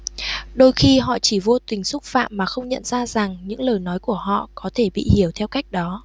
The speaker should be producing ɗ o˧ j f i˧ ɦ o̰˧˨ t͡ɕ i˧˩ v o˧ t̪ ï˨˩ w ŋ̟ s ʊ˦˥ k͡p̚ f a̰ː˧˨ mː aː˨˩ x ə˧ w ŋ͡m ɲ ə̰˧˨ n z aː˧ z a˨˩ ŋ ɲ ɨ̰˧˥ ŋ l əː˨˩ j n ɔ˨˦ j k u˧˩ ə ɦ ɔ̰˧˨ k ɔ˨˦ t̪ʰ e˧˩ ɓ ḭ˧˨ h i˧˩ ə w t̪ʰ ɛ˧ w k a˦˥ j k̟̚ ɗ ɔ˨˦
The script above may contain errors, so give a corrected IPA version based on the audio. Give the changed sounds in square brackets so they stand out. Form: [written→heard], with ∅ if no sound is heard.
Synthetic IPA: ɗ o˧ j [f→x] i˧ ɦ [o̰˧˨→ɔ̰˧˨] t͡ɕ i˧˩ v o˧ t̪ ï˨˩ [w→∅] ŋ̟ s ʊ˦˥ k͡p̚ f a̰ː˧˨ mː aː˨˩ x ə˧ w ŋ͡m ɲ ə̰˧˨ n z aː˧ z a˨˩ ŋ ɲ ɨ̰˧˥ ŋ l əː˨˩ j n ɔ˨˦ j k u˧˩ ə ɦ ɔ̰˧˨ k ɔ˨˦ t̪ʰ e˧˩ ɓ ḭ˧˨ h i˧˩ ə w t̪ʰ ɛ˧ w k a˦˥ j k̟̚ ɗ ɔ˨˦